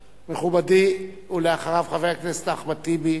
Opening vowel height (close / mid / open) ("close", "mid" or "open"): mid